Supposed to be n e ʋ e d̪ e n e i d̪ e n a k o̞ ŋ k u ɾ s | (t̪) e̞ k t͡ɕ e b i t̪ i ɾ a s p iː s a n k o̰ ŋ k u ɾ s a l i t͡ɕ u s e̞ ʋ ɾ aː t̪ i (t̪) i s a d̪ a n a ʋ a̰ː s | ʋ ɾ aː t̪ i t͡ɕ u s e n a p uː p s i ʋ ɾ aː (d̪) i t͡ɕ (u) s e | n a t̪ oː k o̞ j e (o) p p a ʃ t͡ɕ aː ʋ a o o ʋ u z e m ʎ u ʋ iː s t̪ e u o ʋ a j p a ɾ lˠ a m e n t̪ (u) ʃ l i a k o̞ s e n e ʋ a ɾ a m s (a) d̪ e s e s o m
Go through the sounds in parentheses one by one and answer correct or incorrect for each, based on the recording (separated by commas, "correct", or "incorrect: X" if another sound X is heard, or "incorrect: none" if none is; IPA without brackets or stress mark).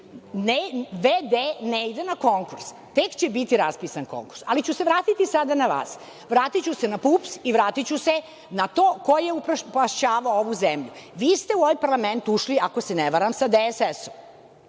correct, correct, incorrect: t̪, correct, incorrect: u, correct, correct